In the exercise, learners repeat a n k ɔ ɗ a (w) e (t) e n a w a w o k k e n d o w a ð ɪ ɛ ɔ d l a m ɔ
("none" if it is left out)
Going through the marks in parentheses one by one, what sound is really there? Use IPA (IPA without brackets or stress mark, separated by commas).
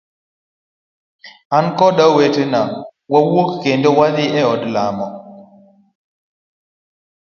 w, t